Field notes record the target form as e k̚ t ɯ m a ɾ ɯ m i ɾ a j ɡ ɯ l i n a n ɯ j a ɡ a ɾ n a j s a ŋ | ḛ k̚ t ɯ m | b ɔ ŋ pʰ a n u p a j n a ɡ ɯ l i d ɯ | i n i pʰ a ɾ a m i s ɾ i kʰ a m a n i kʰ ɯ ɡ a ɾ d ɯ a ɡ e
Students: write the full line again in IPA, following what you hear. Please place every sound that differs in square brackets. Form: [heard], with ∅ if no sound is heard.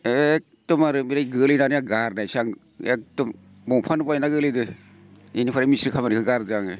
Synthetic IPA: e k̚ t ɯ m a ɾ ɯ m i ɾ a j ɡ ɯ l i n a n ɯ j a ɡ a ɾ n a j s a ŋ | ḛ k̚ t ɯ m | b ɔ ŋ pʰ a n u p a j n a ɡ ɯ l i d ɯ | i n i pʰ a ɾ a m i s ɾ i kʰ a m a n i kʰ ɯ ɡ a ɾ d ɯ a [ŋ] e